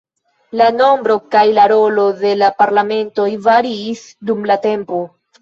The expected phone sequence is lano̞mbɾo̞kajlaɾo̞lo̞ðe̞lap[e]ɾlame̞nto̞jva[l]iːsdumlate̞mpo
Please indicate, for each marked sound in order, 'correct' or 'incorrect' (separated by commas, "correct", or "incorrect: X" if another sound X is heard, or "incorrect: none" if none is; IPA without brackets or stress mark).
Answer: incorrect: a, incorrect: ɾ